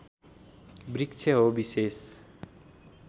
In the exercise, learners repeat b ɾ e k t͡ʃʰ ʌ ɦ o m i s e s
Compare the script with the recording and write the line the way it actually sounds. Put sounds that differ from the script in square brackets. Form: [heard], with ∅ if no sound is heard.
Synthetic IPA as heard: b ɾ [i] k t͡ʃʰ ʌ ɦ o [b] i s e s